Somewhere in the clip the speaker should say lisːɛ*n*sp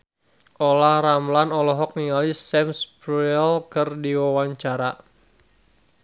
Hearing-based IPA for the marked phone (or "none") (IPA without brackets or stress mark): m